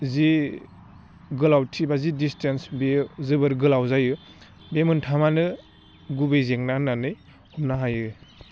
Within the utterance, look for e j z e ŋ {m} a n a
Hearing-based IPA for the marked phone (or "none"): n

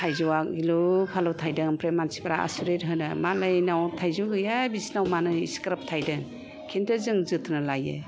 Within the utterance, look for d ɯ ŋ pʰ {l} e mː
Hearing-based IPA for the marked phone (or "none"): ɾ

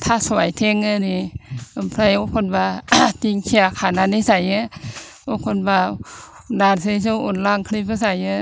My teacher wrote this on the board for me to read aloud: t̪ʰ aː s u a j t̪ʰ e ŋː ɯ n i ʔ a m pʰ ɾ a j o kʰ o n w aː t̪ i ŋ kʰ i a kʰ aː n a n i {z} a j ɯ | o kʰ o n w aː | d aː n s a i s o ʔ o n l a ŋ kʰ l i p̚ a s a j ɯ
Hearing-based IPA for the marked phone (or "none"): s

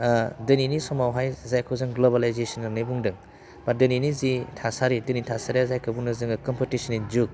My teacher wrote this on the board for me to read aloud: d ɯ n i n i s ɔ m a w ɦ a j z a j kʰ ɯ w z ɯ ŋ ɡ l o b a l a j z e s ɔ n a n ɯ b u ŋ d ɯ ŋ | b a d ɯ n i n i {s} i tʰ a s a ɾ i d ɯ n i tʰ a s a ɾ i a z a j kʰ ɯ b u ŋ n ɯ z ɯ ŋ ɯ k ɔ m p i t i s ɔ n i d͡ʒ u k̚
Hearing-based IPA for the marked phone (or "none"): z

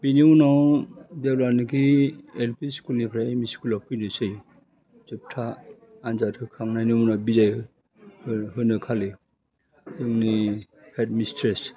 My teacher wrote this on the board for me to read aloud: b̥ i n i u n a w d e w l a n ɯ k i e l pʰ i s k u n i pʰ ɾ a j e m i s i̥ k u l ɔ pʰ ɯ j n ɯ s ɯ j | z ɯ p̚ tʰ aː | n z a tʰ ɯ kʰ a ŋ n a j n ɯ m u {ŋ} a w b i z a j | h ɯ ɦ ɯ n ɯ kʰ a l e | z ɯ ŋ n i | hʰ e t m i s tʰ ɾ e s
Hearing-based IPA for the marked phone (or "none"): n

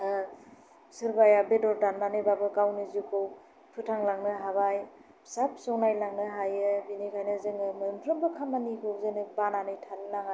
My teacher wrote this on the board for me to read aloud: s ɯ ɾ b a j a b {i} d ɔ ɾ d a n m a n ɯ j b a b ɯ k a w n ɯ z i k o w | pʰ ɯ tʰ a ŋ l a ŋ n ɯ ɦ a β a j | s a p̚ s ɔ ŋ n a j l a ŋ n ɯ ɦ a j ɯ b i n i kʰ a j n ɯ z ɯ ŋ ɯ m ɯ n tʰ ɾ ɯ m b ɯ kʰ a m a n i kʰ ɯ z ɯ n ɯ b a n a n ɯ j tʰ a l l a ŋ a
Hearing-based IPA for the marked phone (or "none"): e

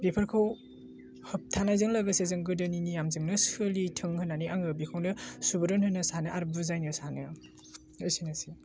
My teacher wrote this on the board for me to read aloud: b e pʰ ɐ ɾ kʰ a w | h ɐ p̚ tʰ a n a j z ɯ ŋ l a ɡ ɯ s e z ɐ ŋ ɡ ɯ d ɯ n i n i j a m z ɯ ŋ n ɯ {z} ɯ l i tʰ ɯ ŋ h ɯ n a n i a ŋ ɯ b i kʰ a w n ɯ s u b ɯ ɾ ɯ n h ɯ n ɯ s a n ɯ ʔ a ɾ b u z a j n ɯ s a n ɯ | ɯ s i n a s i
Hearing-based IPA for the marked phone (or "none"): s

